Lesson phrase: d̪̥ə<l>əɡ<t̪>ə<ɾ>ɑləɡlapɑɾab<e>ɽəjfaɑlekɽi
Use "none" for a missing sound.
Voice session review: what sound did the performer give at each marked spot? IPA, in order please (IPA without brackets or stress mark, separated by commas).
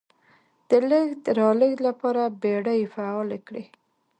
l, d̪, ɾ, e